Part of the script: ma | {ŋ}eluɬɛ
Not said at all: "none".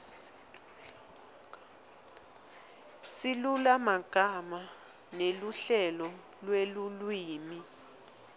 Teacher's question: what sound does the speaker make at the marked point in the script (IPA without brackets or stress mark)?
n